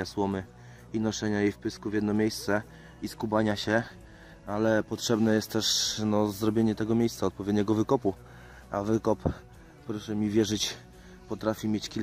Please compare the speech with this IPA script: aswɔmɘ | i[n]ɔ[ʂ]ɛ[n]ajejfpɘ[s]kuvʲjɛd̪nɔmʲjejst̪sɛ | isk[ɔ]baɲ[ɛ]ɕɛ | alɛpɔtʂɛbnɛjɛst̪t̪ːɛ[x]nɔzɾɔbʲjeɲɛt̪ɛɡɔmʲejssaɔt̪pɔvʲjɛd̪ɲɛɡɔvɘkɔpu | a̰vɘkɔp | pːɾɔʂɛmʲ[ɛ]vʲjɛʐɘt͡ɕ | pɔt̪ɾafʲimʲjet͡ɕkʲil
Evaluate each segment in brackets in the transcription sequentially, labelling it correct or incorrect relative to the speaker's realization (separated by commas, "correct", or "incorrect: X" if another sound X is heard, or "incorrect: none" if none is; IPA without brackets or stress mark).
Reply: correct, correct, incorrect: ɲ, correct, incorrect: u, incorrect: a, incorrect: ʂ, incorrect: i